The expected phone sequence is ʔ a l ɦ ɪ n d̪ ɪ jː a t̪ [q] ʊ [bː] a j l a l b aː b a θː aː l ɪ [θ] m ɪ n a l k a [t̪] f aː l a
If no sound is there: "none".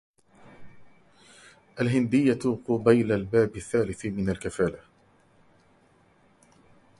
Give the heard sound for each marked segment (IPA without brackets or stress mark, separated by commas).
q, b, θ, none